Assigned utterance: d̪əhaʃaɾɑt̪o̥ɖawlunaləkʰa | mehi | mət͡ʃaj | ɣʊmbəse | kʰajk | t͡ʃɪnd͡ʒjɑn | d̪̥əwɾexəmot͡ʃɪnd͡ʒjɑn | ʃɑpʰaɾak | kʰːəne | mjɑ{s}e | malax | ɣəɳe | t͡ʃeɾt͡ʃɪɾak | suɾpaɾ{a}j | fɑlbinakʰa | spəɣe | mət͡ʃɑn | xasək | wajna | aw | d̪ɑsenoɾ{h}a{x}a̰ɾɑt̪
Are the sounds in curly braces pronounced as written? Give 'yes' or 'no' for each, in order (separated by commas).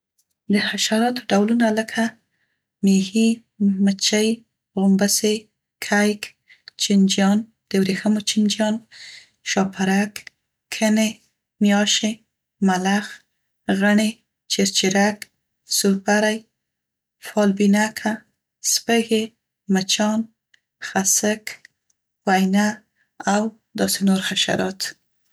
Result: no, yes, no, no